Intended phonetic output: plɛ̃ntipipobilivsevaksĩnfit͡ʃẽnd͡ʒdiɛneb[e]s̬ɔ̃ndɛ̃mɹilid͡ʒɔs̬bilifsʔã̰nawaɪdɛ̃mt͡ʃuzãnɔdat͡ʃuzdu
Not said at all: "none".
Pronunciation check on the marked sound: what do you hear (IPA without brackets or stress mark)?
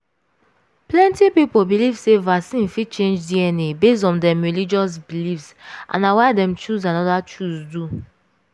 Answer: e